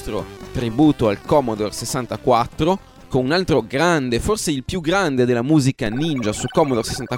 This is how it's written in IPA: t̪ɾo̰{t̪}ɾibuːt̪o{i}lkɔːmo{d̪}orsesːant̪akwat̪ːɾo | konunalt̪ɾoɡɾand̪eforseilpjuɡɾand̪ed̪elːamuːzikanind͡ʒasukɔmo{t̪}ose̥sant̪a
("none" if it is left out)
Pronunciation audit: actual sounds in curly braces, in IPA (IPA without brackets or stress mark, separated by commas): t̪, a, d̪, d̪